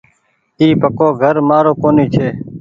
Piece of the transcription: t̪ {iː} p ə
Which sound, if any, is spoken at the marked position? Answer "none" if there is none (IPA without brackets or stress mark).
iː